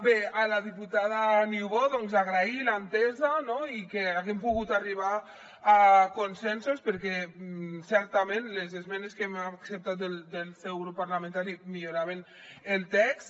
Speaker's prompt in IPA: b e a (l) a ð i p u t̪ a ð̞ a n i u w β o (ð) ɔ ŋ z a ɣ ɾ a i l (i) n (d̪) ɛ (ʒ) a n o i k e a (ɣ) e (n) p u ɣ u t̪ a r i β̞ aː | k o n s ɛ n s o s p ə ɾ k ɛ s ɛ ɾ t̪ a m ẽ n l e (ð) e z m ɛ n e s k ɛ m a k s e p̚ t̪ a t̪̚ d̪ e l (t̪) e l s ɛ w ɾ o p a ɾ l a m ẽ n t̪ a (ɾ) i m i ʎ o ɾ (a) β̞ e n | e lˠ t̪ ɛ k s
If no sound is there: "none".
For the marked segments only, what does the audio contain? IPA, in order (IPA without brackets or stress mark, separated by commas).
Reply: l, ð, a, t̪, z, ɣ, m, z, d̪, ɾ, a